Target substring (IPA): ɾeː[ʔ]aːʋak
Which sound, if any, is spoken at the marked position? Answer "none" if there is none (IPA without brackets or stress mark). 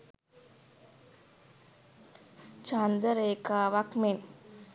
k